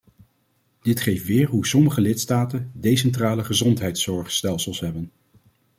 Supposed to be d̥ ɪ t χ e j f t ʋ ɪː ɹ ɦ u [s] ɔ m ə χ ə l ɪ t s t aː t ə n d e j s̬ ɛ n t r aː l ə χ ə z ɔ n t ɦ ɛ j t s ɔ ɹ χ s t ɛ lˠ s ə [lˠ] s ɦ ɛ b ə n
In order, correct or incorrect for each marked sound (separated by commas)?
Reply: correct, correct